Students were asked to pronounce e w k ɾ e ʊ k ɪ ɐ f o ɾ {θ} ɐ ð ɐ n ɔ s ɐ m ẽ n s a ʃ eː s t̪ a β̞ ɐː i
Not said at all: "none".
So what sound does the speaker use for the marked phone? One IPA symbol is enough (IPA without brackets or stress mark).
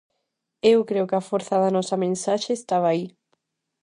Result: θ